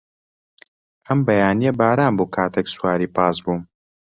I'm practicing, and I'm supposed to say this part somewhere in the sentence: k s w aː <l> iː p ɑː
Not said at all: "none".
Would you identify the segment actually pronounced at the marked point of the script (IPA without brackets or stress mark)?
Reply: ɾ